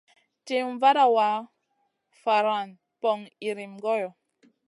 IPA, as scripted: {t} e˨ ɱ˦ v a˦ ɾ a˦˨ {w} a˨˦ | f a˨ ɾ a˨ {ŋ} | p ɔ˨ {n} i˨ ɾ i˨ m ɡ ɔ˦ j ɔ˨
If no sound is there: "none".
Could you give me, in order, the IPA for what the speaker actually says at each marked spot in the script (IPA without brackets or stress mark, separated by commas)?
t, w, n, ŋ